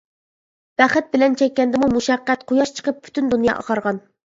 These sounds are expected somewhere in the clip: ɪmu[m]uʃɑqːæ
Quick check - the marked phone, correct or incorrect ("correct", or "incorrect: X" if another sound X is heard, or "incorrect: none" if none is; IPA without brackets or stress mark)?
correct